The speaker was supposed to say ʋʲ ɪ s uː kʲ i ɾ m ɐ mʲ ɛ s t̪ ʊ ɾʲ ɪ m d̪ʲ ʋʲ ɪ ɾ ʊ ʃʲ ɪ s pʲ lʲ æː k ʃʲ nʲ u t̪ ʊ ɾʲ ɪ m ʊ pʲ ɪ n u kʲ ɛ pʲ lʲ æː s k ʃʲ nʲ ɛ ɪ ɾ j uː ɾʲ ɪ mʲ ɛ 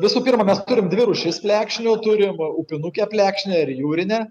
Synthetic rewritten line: ʋʲ ɪ s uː pʲ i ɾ m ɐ mʲ ɛ s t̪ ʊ ɾʲ ɪ m d̪ʲ ʋʲ ɪ ɾ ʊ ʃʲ ɪ s pʲ lʲ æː k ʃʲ nʲ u t̪ ʊ ɾʲ ɪ m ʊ pʲ ɪ n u kʲ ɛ pʲ lʲ æː k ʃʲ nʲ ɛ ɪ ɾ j uː ɾʲ ɪ nʲ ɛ